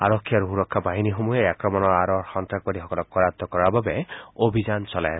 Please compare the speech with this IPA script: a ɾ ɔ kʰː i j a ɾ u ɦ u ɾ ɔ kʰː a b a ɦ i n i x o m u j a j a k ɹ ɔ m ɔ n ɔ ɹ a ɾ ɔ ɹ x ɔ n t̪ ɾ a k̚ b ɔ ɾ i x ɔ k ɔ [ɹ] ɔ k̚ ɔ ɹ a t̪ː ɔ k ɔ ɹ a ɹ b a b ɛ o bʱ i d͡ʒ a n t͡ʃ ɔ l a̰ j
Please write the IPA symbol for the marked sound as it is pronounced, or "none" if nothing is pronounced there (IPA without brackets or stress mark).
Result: l